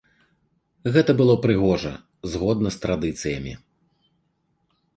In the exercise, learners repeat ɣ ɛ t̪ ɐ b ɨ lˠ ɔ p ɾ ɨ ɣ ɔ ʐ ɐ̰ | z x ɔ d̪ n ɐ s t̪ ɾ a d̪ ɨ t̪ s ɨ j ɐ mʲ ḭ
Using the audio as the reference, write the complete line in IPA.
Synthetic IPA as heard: ɣ ɛ t̪ ɐ b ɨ lˠ ɔ p ɾ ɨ ɣ ɔ ʐ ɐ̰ | z ɣ ɔ d̪ n ɐ s t̪ ɾ a d̪ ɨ t̪ s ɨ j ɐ mʲ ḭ